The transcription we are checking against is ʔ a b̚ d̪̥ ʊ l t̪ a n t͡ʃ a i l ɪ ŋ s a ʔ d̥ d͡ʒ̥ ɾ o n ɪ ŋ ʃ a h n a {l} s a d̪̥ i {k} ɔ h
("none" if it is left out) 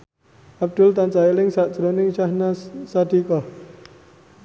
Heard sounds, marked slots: none, k

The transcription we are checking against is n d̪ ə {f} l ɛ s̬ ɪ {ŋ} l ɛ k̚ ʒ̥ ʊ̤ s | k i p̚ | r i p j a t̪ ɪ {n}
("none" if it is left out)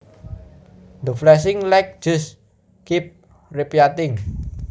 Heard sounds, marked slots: f, ŋ, ŋ

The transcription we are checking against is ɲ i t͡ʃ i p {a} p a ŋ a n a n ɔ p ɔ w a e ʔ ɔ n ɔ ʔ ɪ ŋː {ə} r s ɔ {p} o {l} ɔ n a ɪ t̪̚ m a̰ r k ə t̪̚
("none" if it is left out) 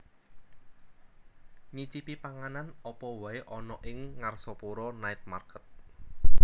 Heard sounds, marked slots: i, a, p, ɾ

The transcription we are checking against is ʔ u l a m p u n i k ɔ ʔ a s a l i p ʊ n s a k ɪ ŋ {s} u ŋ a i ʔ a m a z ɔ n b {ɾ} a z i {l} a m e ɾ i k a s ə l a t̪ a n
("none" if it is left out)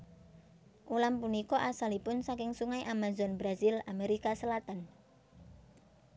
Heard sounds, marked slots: s, ɾ, l

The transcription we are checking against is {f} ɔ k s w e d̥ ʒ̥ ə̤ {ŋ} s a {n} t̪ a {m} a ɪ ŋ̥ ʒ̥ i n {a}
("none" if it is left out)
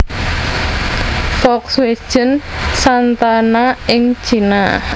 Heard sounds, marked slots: f, n, n, n, a

